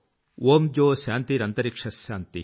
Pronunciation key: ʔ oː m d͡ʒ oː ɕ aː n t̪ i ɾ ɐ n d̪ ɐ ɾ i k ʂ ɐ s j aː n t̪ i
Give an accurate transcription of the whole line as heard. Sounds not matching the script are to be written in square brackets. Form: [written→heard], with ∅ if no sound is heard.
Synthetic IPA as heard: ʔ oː m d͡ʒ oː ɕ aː n t̪ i ɾ ɐ n [d̪→t̪] ɐ ɾ i k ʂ ɐ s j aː n t̪ i